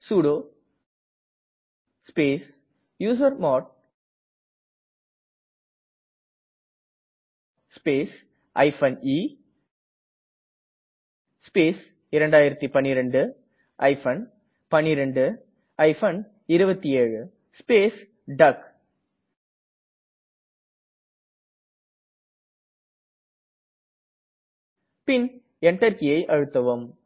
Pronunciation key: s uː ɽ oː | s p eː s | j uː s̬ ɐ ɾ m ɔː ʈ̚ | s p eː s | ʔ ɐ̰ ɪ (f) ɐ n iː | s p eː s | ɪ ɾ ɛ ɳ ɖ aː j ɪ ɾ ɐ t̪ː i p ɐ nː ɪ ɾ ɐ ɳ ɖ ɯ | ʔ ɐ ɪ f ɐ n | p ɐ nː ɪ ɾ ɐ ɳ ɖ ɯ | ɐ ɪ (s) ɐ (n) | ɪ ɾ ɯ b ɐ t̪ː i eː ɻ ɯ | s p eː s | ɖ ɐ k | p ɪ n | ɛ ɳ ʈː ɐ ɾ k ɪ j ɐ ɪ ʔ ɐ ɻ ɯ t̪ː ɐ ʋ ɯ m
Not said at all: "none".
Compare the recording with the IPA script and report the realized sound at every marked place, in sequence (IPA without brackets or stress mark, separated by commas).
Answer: f, f, n